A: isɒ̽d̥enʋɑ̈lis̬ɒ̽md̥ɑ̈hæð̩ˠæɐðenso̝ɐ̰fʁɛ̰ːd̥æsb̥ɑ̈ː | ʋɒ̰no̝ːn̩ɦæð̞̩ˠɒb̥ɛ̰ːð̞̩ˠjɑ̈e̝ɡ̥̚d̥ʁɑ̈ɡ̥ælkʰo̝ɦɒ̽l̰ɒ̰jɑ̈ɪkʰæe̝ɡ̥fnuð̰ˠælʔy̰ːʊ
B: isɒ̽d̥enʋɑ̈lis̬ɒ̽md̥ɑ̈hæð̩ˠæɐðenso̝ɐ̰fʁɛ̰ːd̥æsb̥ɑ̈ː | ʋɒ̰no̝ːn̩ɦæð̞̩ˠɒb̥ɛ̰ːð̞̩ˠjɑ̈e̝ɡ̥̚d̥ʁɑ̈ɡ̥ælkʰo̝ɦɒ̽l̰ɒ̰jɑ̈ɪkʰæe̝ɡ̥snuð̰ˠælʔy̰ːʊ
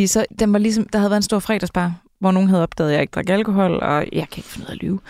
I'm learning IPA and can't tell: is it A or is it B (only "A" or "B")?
A